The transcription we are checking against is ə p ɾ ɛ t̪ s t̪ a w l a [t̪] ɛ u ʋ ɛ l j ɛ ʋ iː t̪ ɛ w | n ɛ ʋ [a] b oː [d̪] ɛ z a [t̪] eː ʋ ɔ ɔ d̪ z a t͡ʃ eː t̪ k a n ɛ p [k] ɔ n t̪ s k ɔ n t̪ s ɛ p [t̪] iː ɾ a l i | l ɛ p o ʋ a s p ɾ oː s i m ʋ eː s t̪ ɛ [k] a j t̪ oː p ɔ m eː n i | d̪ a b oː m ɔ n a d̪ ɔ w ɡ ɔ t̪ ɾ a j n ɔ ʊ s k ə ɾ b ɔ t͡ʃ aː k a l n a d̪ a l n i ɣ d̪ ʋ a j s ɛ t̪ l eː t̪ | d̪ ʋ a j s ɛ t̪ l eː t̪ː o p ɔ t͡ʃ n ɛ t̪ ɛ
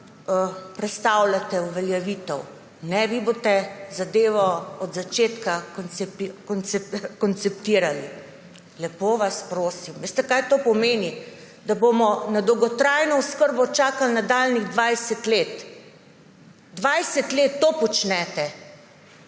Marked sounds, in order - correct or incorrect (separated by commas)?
correct, incorrect, incorrect, incorrect, correct, correct, correct